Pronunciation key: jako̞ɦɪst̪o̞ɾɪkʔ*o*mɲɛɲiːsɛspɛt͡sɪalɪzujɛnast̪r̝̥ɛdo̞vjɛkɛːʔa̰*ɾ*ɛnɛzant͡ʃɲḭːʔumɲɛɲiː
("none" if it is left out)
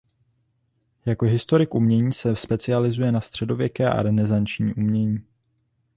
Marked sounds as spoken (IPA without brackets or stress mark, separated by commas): u, ɾ